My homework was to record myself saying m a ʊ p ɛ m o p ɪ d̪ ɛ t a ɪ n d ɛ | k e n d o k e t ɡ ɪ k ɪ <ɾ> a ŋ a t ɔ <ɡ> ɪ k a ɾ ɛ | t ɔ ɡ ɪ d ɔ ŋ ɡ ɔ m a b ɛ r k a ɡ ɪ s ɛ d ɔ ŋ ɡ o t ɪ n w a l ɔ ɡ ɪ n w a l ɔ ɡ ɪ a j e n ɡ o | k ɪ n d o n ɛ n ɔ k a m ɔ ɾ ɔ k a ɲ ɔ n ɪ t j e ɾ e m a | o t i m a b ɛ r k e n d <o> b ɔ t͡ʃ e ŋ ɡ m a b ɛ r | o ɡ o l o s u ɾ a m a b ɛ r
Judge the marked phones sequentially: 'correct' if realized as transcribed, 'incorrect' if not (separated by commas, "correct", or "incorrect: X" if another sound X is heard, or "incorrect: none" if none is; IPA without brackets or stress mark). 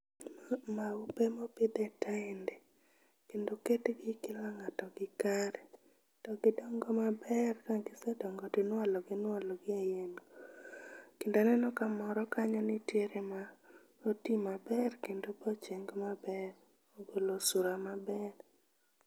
incorrect: l, correct, correct